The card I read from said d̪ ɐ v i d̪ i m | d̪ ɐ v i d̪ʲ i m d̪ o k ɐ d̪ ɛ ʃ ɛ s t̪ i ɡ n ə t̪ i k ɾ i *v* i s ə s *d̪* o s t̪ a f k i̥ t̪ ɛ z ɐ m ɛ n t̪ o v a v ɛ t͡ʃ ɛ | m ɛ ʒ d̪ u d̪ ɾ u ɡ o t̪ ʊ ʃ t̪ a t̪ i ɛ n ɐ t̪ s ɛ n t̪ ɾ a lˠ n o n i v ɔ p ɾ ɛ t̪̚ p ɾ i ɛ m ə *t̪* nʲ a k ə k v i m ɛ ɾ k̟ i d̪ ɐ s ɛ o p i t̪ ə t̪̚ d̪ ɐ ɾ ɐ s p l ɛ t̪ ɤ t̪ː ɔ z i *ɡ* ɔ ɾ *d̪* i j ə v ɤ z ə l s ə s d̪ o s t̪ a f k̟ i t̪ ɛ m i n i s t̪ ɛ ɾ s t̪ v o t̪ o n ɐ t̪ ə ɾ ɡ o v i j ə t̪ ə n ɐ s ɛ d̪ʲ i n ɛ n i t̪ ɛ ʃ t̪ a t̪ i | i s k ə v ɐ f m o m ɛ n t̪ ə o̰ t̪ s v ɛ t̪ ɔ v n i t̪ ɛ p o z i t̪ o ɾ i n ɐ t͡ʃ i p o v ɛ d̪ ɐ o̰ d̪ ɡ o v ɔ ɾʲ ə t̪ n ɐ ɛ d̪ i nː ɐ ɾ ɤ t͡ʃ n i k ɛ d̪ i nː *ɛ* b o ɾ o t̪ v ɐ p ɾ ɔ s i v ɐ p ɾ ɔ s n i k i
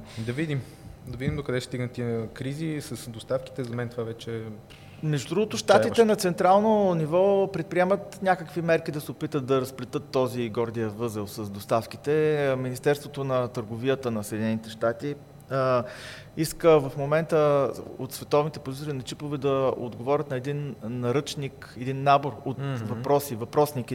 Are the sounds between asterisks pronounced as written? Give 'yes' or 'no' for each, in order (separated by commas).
no, yes, yes, yes, yes, no